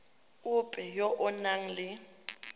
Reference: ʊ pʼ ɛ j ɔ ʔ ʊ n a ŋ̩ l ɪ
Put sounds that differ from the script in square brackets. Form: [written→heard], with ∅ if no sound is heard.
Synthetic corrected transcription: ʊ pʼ ɛ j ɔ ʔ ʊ n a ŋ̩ l ɪ